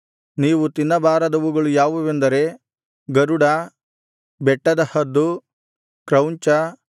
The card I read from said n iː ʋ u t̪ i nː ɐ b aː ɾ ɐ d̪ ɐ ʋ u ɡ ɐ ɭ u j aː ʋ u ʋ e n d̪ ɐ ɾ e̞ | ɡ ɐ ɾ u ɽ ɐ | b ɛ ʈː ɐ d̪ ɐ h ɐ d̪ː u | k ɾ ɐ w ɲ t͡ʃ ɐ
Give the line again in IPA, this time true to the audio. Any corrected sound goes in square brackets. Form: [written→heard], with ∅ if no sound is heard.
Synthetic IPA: n iː ʋ u t̪ i nː ɐ b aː ɾ ɐ d̪ ɐ ʋ u ɡ ɐ ɭ u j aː ʋ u ʋ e n d̪ ɐ ɾ e̞ | ɡ ɐ ɾ u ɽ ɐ | b ɛ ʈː ɐ d̪ ɐ h ɐ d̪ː u | k ɾ ɐ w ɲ t͡ʃ ɐ